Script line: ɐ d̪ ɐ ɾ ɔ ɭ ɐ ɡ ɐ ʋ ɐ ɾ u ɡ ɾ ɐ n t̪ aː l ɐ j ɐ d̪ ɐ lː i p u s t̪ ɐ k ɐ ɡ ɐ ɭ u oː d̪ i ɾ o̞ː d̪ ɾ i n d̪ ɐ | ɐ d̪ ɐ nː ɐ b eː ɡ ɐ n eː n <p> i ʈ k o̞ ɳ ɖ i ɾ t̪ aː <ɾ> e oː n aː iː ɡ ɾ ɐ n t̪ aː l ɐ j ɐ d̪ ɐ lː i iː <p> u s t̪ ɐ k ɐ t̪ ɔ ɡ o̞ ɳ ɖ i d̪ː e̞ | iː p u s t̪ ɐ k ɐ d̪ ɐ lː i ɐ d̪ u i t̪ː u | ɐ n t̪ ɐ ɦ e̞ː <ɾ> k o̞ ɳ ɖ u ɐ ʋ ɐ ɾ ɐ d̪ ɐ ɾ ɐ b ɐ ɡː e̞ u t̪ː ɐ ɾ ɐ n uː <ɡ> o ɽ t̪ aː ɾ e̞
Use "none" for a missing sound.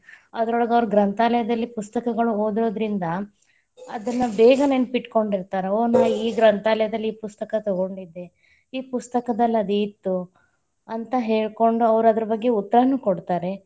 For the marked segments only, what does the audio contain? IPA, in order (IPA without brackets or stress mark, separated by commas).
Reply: p, ɾ, p, ɭ, k